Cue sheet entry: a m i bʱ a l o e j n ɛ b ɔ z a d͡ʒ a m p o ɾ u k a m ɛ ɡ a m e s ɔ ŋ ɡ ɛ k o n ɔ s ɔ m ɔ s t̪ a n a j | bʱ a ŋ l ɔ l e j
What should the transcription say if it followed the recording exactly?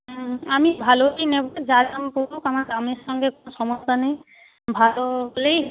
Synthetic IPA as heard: a m i bʱ a l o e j n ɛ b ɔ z a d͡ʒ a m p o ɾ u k a m a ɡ a m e s ɔ ŋ ɡ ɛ k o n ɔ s ɔ m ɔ s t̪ a n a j | bʱ a l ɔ l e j